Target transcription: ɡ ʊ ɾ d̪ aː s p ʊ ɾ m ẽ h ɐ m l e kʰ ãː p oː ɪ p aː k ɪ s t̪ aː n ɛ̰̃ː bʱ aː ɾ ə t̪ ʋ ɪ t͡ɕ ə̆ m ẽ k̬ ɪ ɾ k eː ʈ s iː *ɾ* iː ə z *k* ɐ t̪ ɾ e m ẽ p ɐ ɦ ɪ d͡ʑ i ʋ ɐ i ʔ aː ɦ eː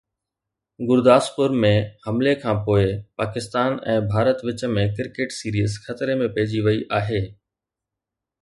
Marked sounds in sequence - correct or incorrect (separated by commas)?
correct, incorrect